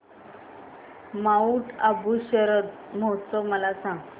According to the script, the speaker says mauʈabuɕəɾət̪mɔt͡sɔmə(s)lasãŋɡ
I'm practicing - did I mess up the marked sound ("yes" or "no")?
yes